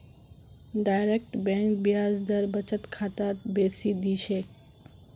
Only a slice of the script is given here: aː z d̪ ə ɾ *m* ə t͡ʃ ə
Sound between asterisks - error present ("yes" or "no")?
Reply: yes